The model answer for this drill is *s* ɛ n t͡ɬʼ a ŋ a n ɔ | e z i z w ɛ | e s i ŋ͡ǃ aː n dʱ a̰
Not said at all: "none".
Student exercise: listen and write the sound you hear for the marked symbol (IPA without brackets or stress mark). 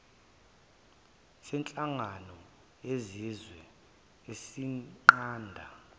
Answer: s